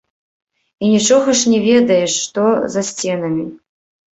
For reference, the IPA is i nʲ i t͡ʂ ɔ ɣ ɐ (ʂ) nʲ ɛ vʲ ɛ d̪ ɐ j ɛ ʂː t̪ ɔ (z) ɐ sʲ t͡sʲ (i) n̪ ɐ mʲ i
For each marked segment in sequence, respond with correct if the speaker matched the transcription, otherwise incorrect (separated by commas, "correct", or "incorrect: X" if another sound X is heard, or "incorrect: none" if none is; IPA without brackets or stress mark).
correct, correct, incorrect: ɛ